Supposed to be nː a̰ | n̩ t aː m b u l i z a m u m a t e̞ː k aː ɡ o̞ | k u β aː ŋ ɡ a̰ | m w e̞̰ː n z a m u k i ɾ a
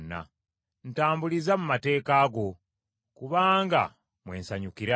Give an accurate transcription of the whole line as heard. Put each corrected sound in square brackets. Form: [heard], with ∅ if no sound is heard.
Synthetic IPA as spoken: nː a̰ | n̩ t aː m b u l i z a m u m a t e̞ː k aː ɡ o̞ | k u β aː ŋ ɡ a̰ | m w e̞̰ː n [s] a [ɲ] u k i ɾ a